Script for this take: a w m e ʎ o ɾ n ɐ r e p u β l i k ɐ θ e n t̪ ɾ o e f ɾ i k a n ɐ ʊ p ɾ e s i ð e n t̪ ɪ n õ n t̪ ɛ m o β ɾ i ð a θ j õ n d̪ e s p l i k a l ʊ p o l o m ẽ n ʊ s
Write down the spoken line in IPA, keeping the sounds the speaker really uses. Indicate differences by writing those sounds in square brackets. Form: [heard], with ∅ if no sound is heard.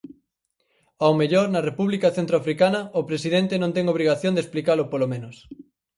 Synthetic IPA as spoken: a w m e ʎ o ɾ n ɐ r e p u β l i k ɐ θ e n t̪ ɾ o [a] f ɾ i k a n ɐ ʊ p ɾ e s i ð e n t̪ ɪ n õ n t̪ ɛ [ŋ] o β ɾ i [ɣ] a θ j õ n d̪ e s p l i k a l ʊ p o l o m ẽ n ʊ s